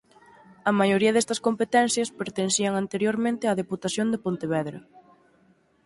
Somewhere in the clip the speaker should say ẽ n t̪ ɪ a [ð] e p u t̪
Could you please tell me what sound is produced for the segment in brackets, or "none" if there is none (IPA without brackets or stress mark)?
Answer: ð